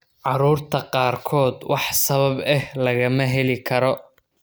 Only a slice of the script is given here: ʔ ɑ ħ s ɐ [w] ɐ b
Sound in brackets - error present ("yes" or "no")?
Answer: yes